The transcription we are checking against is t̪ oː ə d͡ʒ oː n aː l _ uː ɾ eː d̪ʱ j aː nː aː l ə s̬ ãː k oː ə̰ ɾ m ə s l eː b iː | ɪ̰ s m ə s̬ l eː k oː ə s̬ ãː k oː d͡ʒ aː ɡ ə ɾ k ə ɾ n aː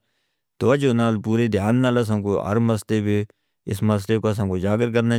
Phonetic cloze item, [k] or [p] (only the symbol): p